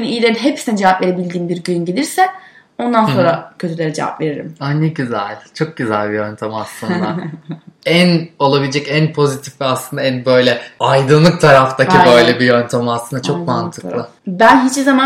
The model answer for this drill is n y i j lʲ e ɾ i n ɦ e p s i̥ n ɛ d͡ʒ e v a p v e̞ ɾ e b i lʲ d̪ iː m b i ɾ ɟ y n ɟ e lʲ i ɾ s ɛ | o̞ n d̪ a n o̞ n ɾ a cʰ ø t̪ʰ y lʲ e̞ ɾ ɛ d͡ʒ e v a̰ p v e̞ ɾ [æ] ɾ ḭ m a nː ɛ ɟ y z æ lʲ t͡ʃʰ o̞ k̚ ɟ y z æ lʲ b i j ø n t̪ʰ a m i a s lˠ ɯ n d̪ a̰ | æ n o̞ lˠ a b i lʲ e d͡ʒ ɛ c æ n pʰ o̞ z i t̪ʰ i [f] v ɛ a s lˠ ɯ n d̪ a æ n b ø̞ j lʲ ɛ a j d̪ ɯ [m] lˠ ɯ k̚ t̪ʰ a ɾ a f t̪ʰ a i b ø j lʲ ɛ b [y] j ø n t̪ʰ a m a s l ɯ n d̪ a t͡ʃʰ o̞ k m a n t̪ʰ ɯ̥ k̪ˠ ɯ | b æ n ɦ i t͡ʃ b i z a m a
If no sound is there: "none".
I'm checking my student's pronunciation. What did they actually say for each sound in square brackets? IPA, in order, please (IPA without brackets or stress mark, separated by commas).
i, f, n, i